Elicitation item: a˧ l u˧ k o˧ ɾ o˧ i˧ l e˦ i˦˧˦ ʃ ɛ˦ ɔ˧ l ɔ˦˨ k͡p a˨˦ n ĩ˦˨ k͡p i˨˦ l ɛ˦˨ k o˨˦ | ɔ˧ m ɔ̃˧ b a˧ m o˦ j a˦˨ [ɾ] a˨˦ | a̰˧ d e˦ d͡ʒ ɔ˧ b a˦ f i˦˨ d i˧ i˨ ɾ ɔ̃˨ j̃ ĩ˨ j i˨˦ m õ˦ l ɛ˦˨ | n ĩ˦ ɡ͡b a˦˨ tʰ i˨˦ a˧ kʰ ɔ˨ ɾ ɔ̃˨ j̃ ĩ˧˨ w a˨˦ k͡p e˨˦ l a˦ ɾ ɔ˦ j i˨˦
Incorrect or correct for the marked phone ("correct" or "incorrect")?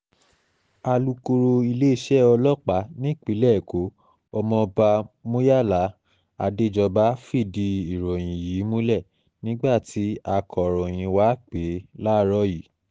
incorrect